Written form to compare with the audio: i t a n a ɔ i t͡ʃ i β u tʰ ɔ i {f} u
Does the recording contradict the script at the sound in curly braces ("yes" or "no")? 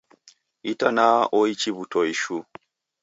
yes